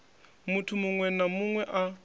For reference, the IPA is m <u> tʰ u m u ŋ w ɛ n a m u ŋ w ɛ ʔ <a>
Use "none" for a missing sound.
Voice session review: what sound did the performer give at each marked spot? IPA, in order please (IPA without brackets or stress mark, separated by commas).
u, a